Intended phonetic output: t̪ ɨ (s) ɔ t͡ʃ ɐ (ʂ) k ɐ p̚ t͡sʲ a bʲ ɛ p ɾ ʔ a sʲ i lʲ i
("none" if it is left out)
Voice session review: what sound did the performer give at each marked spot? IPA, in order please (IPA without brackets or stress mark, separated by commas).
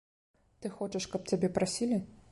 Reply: x, ʂ